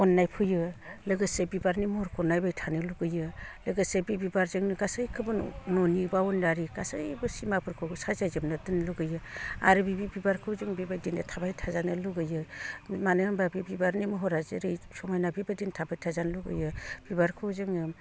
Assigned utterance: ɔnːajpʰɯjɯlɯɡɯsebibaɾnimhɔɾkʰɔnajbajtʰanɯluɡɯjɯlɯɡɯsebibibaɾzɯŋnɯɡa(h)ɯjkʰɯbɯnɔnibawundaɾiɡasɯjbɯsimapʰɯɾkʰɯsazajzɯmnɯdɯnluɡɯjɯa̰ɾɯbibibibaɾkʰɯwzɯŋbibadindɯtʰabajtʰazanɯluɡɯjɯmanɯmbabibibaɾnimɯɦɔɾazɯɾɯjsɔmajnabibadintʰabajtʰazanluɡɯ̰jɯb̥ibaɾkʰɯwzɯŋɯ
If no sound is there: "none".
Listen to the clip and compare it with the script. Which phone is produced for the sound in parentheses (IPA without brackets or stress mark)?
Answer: s